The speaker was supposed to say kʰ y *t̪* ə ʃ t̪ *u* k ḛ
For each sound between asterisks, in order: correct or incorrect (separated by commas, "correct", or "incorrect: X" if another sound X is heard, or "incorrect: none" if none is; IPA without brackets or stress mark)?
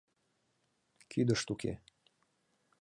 incorrect: d̪, correct